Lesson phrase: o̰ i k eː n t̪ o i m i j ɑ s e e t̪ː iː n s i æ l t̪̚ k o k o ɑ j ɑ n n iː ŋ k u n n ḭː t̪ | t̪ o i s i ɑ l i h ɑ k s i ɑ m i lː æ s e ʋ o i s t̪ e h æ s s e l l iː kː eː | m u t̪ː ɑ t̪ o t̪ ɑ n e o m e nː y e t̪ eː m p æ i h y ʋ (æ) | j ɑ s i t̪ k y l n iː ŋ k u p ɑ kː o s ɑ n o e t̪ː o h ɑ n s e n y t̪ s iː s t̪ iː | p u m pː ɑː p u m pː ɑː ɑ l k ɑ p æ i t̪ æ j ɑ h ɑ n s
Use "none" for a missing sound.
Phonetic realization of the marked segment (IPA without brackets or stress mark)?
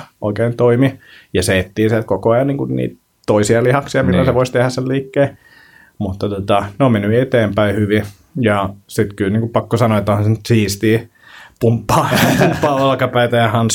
i